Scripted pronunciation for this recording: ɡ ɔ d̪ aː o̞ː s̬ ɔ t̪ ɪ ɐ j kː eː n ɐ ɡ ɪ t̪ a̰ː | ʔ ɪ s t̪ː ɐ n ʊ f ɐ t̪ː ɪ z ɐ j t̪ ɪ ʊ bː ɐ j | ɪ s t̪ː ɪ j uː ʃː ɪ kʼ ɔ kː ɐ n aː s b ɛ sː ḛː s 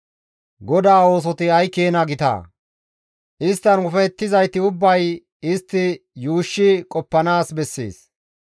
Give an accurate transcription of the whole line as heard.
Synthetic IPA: ɡ ɔ d̪ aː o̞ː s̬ ɔ t̪ ɪ ɐ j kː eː n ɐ ɡ ɪ t̪ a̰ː | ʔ ɪ s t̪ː ɐ n ʊ f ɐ t̪ː ɪ z ɐ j t̪ ɪ ʊ bː ɐ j | ɪ s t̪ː ɪ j uː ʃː ɪ kʼ ɔ pː ɐ n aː s b ɛ sː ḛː s